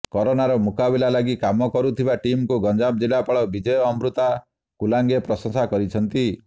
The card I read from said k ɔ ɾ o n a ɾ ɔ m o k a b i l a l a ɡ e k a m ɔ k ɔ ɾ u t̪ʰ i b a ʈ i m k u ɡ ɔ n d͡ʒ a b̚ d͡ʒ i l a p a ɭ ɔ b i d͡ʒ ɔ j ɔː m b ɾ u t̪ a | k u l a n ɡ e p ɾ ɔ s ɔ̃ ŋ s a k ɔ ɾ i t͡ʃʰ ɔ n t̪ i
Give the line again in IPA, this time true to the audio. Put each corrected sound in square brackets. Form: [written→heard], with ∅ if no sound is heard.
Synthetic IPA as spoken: k ɔ ɾ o n a ɾ ɔ m [o→u] k a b i l a l a ɡ [e→i] k a m ɔ k ɔ ɾ u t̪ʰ i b a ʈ i m k u ɡ ɔ n d͡ʒ a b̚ d͡ʒ i l a p a ɭ ɔ b i d͡ʒ ɔ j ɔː m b ɾ u t̪ a | k u l a [n→ŋ] ɡ e p ɾ ɔ s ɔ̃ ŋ s a k ɔ ɾ i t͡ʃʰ ɔ n t̪ i